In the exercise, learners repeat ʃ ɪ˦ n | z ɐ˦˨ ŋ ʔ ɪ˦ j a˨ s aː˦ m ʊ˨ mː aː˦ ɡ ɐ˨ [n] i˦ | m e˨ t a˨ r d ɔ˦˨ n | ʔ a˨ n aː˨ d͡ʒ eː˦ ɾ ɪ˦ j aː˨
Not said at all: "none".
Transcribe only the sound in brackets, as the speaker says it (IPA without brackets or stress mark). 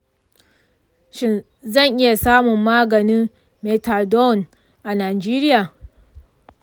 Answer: n